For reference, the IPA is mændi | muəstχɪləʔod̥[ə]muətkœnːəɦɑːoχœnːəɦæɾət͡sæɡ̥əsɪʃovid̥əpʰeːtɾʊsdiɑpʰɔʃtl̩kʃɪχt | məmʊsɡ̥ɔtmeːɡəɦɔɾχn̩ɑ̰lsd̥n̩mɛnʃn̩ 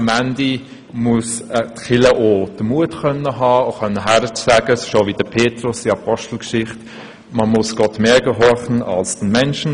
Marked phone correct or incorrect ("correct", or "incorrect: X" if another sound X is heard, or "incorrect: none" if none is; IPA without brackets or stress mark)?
correct